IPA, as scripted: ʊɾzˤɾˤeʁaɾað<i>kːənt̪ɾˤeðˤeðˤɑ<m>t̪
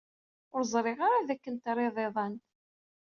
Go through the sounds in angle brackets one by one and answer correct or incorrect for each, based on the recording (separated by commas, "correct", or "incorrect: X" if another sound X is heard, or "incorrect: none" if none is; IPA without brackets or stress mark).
incorrect: æ, incorrect: n